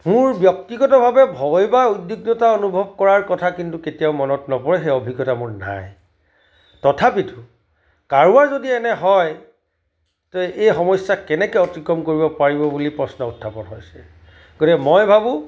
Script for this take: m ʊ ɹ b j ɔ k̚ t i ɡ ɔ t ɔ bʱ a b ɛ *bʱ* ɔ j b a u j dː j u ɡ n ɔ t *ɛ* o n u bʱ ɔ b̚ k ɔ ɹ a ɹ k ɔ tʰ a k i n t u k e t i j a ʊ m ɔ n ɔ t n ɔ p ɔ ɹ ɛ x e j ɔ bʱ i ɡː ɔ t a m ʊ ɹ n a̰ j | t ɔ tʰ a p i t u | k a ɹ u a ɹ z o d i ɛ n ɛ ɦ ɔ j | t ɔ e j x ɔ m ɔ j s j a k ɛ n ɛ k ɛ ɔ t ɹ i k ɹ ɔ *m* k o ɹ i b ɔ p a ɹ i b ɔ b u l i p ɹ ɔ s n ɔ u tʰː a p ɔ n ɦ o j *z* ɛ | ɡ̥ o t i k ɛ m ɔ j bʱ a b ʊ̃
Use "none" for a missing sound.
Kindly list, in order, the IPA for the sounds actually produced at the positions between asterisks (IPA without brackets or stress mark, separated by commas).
bʱ, a, m, s